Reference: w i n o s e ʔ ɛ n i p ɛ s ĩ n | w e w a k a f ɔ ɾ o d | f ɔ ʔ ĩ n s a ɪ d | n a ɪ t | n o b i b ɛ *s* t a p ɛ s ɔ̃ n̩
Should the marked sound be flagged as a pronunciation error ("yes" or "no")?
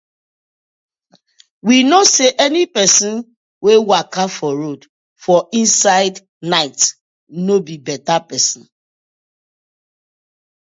yes